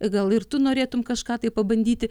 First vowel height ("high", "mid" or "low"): low